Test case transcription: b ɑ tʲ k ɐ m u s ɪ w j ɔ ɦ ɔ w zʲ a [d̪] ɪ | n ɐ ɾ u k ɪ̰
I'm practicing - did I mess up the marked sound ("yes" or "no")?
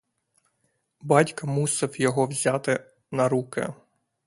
yes